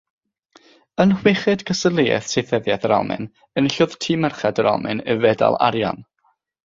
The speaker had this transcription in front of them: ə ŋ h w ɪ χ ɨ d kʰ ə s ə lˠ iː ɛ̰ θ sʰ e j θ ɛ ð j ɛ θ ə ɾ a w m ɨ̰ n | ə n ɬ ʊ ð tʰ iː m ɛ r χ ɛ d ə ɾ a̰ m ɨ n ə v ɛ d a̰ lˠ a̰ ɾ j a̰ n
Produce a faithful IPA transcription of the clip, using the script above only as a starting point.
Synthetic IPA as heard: ə n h w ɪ χ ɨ d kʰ ə s ə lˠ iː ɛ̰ θ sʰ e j θ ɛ ð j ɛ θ ə ɾ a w m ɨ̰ n | ə n ɬ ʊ ð tʰ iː m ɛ r χ ɛ d ə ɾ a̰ m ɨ n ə v ɛ d a̰ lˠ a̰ ɾ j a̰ n